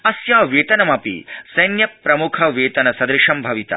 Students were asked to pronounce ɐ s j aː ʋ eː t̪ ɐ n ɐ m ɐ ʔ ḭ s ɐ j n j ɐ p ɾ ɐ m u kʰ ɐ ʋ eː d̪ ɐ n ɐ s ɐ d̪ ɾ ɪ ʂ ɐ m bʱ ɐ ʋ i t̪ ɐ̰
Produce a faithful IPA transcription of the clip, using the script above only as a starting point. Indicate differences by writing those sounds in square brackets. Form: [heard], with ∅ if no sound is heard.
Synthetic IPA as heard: ɐ s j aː ʋ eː t̪ ɐ n ɐ m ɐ [p] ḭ s ɐ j n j ɐ p ɾ ɐ m u kʰ ɐ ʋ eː [t̪] ɐ n ɐ s ɐ d̪ ɾ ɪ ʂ ɐ m bʱ ɐ ʋ i t̪ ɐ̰